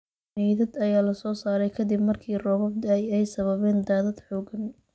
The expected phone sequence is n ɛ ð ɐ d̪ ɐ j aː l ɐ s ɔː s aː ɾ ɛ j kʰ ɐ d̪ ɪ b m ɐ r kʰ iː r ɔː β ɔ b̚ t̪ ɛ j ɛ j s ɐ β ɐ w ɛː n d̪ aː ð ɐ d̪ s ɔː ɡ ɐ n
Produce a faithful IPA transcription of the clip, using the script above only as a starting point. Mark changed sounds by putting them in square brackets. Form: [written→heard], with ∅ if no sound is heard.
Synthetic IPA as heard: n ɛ ð ɐ d̪ ɐ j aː l ɐ s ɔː s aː ɾ ɛ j kʰ ɐ d̪ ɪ b m ɐ r kʰ iː r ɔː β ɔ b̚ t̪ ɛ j ɛ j s ɐ β ɐ [w→β] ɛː n d̪ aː ð ɐ d̪ [s→ħ] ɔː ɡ ɐ n